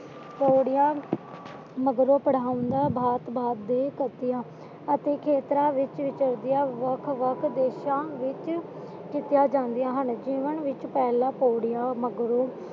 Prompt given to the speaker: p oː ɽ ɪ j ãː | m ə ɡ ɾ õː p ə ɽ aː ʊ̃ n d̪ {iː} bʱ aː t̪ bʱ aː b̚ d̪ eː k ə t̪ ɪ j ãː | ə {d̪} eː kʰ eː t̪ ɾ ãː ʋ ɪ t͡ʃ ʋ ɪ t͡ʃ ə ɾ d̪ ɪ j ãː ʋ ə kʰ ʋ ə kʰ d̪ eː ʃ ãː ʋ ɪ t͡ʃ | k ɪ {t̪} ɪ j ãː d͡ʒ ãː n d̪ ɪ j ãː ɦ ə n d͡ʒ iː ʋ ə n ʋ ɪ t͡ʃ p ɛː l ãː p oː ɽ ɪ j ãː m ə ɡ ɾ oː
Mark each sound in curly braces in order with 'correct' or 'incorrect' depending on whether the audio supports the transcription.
incorrect, incorrect, correct

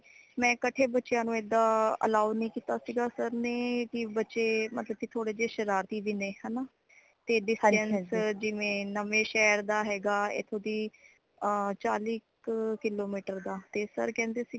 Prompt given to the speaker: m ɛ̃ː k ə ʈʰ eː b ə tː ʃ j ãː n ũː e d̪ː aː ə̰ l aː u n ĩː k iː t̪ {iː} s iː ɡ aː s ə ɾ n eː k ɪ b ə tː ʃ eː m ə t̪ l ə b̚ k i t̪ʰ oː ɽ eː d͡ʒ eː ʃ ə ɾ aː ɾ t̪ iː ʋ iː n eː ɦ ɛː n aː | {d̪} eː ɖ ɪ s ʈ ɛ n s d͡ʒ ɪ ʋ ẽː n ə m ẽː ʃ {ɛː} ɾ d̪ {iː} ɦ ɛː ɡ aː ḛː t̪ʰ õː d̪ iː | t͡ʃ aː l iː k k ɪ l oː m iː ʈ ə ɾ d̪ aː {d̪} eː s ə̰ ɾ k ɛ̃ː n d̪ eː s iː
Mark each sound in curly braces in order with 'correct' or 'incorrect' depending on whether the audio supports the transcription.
incorrect, incorrect, correct, incorrect, incorrect

